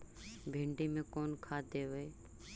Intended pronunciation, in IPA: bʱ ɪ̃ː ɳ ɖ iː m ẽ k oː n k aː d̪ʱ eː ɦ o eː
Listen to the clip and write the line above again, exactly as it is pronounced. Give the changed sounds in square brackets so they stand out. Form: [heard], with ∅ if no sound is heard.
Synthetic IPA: bʱ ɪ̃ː ɳ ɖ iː m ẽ k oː n [kʰ] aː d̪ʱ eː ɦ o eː